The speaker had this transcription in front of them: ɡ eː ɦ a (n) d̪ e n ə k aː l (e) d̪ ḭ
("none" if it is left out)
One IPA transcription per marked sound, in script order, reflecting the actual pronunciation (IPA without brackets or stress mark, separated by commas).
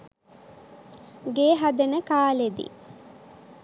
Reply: none, e